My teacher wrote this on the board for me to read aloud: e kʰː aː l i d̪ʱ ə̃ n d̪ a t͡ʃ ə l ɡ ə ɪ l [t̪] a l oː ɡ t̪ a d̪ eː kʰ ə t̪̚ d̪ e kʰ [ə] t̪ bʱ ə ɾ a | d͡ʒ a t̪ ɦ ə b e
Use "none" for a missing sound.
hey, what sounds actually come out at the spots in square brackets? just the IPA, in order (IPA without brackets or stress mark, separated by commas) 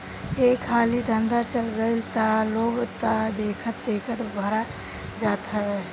t̪, ə